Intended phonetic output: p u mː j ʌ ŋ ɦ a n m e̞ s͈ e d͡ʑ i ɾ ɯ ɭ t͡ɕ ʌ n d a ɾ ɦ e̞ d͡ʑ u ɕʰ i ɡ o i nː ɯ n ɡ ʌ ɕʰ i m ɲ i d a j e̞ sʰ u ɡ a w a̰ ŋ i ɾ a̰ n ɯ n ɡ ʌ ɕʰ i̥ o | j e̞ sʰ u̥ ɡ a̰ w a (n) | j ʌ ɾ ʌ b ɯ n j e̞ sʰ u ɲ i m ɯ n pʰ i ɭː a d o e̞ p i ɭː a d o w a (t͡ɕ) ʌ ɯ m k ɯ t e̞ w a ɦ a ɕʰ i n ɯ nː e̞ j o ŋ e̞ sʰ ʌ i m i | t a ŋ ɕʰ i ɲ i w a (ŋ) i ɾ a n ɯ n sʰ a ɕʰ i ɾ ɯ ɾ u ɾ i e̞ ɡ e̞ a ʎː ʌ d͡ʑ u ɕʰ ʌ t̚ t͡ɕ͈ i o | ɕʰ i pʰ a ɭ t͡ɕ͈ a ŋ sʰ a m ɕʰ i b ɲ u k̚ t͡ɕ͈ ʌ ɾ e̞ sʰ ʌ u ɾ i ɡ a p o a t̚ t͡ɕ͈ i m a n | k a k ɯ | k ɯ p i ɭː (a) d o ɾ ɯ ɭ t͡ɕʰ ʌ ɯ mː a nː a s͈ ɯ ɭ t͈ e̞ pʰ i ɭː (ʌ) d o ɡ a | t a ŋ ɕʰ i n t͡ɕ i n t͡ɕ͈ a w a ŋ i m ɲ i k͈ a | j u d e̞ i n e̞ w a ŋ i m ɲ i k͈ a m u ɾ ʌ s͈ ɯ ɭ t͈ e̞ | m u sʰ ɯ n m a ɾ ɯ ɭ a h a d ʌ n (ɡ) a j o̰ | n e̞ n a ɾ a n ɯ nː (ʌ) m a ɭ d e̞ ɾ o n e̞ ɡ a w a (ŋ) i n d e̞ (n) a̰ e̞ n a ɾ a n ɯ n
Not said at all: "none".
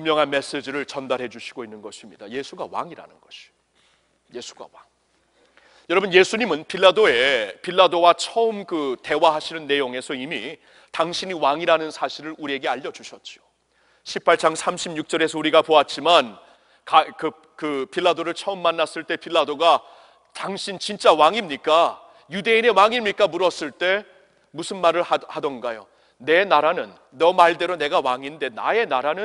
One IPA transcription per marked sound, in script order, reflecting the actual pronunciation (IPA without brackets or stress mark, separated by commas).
ŋ, t͡ɕʰ, ŋ, a, a, ɡ, ʌ, ŋ, n